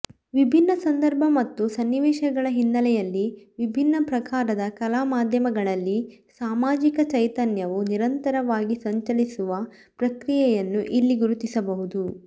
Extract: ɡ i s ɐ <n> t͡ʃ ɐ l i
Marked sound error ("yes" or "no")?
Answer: yes